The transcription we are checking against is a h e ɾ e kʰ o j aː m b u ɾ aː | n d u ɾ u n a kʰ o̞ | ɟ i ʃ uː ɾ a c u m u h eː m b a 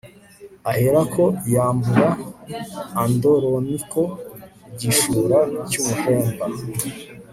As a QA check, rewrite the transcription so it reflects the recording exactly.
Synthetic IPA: a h e ɾ a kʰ o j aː m b u ɾ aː | n d o ɾ o n i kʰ o̞ | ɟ i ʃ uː ɾ a c u m u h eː m b a